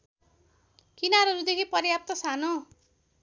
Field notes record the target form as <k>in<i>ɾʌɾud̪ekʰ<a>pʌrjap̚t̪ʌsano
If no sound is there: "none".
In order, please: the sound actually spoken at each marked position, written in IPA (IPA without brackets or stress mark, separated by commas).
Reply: k, a, i